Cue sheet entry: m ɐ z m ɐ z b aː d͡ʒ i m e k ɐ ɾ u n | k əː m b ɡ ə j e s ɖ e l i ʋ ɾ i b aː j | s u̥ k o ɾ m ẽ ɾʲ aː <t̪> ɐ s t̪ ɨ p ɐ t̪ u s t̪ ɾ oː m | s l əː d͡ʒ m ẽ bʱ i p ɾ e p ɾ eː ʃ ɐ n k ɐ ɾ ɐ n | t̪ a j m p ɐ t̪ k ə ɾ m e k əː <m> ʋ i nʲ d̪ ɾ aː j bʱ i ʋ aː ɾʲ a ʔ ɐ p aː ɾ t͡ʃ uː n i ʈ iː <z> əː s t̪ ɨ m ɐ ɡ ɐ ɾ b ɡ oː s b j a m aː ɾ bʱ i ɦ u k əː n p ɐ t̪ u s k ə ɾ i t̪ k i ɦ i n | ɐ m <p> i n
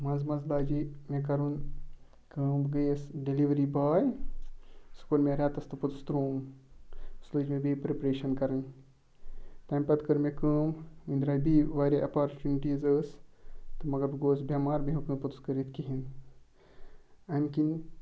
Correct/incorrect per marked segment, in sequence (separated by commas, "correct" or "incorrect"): correct, correct, correct, incorrect